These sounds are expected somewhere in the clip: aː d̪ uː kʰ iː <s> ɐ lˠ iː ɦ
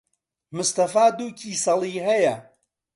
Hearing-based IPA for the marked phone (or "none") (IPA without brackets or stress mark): s